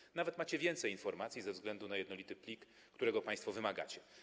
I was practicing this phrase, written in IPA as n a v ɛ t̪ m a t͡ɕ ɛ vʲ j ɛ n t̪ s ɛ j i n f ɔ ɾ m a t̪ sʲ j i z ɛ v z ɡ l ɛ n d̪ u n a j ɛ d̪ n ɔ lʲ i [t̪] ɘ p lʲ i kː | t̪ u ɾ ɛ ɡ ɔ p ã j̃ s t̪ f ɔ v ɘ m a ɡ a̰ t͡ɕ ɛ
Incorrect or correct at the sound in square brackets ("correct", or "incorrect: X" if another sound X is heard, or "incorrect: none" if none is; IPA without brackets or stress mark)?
correct